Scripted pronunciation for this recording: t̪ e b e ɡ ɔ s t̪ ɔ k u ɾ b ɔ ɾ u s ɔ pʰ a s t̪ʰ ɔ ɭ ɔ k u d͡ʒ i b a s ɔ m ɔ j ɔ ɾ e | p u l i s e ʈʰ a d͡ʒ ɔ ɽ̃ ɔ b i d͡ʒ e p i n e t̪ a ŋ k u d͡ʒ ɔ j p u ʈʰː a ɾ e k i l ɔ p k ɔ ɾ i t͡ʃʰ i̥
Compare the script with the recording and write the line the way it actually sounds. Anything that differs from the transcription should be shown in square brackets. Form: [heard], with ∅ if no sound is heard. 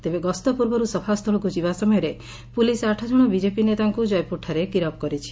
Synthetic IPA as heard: t̪ e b e ɡ ɔ s t̪ ɔ [p] u ɾ b ɔ ɾ u s ɔ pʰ a s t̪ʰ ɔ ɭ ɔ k u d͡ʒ i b a s ɔ m ɔ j ɔ ɾ e | p u l i s [a] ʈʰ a d͡ʒ ɔ ɽ̃ ɔ b i d͡ʒ e p i n e t̪ a ŋ k u d͡ʒ ɔ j p u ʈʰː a ɾ e k i [ɾ] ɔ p k ɔ ɾ i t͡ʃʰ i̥

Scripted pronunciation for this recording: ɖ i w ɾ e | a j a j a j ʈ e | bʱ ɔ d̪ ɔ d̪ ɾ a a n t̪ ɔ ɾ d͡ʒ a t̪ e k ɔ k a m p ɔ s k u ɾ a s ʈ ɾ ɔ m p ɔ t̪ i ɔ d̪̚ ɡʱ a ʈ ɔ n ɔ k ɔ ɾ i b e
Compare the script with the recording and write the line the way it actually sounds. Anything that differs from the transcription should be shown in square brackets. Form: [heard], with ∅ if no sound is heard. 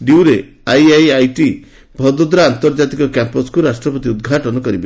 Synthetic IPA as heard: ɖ i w ɾ e | a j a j a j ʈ [i] | bʱ ɔ d̪ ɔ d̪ ɾ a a n t̪ ɔ ɾ d͡ʒ a t̪ [i] k ɔ k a m p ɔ s k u ɾ a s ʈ ɾ ɔ [∅] p ɔ t̪ i [u] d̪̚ ɡʱ a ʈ ɔ n ɔ k ɔ ɾ i b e

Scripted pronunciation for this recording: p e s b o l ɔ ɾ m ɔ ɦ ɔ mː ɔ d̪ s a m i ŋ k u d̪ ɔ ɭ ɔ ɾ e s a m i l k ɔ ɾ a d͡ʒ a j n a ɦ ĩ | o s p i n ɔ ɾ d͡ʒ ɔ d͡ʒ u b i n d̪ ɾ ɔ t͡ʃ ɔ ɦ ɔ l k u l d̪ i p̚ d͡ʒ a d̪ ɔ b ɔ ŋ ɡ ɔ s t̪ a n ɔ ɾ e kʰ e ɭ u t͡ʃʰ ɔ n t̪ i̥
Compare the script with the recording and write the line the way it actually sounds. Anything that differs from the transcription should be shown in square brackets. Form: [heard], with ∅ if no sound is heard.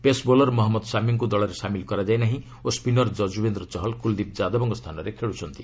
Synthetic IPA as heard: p e s b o l ɔ ɾ m ɔ ɦ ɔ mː ɔ d̪ s a m i ŋ k u d̪ ɔ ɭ ɔ ɾ e s a m i l k ɔ ɾ a d͡ʒ a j n a ɦ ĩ | o s p i n ɔ ɾ d͡ʒ ɔ d͡ʒ u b [e] n d̪ ɾ ɔ t͡ʃ ɔ ɦ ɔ l k u l d̪ i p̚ d͡ʒ a d̪ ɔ b ɔ ŋ ɡ ɔ s [t̪ʰ] a n ɔ ɾ e kʰ e ɭ u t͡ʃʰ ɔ n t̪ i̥

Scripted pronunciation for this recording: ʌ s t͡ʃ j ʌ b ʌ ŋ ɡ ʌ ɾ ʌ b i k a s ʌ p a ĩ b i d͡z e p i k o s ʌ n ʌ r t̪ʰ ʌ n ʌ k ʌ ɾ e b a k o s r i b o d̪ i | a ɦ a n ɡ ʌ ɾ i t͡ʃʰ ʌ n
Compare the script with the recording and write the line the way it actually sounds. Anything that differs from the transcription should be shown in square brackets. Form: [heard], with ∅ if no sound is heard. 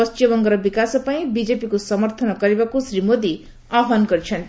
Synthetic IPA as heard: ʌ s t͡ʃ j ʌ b ʌ ŋ ɡ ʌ ɾ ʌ b i k a s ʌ p a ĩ b i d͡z e p i k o s ʌ [m] ʌ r t̪ʰ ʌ n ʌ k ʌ ɾ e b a k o s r i [m] o d̪ i | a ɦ a n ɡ ʌ ɾ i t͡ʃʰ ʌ n

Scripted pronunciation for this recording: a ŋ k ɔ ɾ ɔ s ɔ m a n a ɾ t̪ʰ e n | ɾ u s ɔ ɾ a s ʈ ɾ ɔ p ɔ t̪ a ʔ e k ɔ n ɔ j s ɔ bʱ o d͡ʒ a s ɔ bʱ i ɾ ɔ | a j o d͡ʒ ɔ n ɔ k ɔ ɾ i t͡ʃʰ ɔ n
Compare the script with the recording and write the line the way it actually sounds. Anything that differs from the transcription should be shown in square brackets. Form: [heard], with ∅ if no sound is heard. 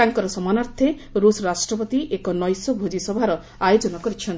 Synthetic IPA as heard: a ŋ k ɔ ɾ ɔ s ɔ m a n a ɾ t̪ʰ e [∅] | ɾ u s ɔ ɾ a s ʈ ɾ ɔ p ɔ t̪ [i] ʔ e k ɔ n ɔ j s ɔ bʱ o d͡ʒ [i] s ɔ bʱ [a] ɾ ɔ | a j o d͡ʒ ɔ n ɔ k ɔ ɾ i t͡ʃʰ ɔ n

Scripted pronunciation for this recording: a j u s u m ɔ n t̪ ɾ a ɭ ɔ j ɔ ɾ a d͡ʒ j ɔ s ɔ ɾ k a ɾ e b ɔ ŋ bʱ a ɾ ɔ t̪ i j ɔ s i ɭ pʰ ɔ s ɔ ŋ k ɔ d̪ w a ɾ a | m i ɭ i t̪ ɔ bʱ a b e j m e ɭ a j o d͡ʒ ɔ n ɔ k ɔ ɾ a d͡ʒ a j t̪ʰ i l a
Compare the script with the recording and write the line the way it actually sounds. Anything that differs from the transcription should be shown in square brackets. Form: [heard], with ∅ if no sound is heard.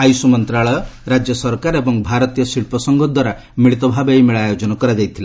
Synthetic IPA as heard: a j u s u m ɔ n t̪ ɾ a ɭ ɔ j ɔ ɾ a d͡ʒ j ɔ s ɔ ɾ k a ɾ e b ɔ ŋ bʱ a ɾ ɔ t̪ i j ɔ s i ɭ [p] ɔ s ɔ ŋ [ɡ] ɔ d̪ w a ɾ a | m i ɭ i t̪ ɔ bʱ a b e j m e ɭ a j o d͡ʒ ɔ n ɔ k ɔ ɾ a d͡ʒ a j t̪ʰ i l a

